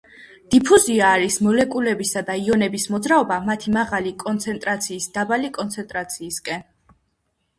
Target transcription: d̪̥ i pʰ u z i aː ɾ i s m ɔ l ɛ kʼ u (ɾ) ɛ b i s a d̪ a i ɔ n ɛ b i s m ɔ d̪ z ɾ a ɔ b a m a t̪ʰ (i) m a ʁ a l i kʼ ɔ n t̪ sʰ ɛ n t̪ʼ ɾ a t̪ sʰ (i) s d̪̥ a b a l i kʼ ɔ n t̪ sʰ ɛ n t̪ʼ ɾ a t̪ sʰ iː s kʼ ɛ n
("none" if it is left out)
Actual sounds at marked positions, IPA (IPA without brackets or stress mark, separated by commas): l, i, iː